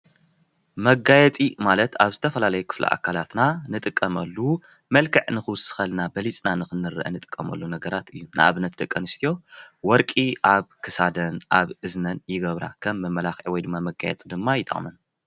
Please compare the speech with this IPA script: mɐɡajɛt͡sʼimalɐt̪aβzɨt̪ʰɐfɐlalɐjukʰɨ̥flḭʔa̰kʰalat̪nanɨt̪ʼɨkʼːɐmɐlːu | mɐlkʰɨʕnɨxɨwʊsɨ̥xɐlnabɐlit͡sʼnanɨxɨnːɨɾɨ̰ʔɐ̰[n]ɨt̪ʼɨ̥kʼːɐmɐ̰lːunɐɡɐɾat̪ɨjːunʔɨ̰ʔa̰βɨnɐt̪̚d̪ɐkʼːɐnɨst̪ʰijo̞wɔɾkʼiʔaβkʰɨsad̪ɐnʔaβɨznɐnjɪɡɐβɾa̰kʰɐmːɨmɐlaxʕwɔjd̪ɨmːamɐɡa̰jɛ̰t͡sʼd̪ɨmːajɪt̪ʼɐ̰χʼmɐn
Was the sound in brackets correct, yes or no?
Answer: yes